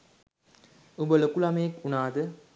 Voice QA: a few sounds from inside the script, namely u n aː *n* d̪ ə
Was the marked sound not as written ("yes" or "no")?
yes